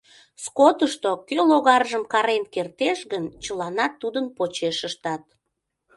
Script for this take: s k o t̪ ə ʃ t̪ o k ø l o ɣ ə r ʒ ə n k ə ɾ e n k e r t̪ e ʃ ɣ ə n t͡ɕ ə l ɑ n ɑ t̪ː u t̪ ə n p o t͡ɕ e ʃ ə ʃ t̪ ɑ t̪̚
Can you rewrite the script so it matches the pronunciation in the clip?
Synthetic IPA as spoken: s k o t̪ ə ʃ t̪ o k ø l o ɣ ɑ r ʒ ə m k ɑ ɾ e n k e r t̪ e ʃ ɣ ə n t͡ɕ ə l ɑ n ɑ t̪ː u d̪ ə n p o t͡ɕ e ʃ ə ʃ t̪ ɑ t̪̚